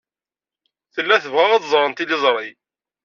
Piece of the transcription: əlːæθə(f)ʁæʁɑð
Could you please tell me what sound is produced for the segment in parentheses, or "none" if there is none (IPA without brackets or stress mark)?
v